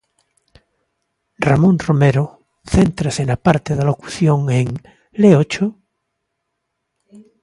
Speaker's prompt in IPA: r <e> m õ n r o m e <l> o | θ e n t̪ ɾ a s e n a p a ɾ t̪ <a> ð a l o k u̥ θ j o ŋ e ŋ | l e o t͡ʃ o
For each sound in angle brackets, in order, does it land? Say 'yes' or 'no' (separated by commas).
no, no, no